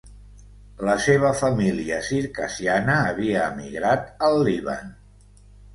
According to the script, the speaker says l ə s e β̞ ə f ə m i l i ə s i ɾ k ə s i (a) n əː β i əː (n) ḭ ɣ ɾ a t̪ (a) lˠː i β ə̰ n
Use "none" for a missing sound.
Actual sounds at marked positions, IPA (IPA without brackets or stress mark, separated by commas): a, m, ə